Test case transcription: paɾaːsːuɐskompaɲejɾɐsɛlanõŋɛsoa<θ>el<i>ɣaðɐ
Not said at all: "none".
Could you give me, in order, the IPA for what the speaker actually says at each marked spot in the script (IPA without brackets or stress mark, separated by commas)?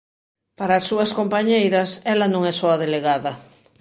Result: ð, e